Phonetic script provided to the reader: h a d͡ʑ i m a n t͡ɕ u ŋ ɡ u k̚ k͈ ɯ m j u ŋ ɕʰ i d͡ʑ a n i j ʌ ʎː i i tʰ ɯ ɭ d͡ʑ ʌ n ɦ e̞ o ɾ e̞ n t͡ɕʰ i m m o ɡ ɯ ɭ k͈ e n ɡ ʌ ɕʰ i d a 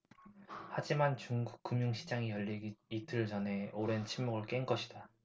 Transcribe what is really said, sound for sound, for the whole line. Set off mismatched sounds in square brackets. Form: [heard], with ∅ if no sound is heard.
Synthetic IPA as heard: h a d͡ʑ i m a n t͡ɕ u ŋ ɡ u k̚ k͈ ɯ m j u ŋ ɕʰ i d͡ʑ a [ŋ] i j ʌ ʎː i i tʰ ɯ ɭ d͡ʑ ʌ n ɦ e̞ o ɾ e̞ n t͡ɕʰ i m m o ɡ ɯ ɭ k͈ e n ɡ ʌ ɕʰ i d a